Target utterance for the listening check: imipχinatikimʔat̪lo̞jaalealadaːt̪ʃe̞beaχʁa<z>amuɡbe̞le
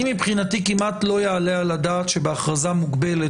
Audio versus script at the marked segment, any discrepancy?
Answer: no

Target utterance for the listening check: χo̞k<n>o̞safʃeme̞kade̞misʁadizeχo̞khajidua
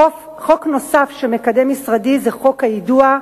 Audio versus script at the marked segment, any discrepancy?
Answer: no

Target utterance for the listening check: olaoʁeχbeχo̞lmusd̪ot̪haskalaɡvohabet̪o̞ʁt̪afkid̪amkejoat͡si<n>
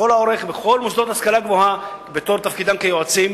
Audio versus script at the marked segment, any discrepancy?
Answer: yes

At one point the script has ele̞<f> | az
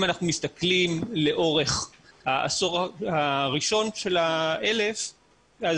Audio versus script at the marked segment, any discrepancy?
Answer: no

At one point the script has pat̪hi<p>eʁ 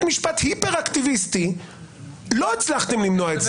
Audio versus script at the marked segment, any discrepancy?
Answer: no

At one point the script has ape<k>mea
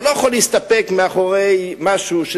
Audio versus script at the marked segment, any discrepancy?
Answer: no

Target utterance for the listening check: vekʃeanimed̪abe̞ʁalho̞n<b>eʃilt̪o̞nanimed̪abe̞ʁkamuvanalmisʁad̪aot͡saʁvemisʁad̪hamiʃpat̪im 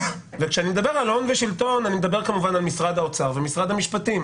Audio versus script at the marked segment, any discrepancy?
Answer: yes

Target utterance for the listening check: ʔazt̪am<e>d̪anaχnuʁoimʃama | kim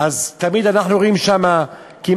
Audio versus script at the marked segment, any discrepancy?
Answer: yes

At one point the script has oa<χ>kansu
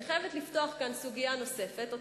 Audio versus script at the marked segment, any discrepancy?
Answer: no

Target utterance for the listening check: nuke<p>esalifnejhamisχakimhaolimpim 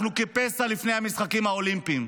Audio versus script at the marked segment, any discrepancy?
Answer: no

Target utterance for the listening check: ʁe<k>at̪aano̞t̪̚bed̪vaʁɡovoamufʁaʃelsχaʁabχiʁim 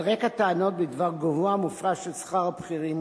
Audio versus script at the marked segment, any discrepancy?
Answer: no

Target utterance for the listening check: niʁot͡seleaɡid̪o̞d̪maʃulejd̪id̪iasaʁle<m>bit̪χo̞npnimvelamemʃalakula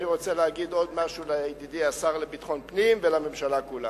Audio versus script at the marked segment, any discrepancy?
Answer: yes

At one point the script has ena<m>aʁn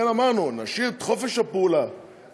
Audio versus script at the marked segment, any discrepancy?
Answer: no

